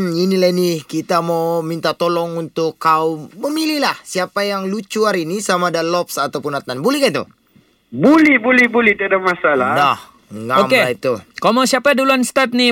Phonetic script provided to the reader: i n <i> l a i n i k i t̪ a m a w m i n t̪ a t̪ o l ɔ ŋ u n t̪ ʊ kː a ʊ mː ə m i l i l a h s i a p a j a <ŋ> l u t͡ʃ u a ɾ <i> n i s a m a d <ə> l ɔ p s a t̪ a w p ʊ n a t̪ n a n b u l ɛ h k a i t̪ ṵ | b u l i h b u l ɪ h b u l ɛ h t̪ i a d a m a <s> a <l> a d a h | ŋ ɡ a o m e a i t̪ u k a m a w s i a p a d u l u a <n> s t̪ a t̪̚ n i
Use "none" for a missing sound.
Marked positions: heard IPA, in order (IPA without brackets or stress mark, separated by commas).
i, ŋ, i, a, s, l, n